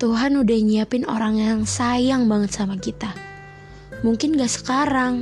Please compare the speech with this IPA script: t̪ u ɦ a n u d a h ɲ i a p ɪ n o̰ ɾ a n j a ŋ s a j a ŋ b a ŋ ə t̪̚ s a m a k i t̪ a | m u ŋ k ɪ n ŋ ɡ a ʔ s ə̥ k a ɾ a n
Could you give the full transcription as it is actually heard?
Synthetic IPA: t̪ u ɦ a n u d a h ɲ i a p ɪ n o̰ ɾ a ŋ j a ŋ s a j a ŋ b a ŋ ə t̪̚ s a m a k i t̪ a | m u ŋ k ɪ n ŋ ɡ a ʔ s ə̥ k a ɾ a ŋ